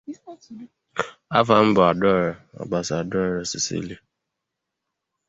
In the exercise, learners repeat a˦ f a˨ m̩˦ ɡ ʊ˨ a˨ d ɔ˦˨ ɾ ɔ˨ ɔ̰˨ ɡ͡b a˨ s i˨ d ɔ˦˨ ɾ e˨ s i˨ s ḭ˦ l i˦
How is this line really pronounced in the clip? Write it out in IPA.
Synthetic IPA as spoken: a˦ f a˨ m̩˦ b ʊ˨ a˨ d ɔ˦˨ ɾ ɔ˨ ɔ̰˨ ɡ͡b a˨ s a˨ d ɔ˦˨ ɾ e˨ s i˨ s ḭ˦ l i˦